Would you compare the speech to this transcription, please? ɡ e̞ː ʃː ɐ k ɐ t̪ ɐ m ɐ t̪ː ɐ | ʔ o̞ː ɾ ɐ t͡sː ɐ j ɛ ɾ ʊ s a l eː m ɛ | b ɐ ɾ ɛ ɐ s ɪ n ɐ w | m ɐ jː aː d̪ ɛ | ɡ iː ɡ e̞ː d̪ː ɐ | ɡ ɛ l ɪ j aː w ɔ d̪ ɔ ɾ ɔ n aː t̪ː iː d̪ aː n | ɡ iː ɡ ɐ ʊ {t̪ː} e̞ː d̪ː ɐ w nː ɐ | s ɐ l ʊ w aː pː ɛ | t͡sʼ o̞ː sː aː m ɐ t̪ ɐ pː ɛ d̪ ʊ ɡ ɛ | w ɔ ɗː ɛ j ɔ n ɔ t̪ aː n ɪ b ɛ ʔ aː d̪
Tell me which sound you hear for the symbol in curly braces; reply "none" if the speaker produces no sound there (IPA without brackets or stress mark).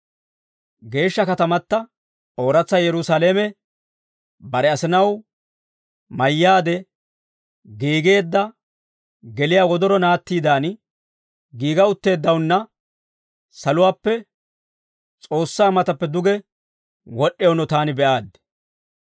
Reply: t̪ː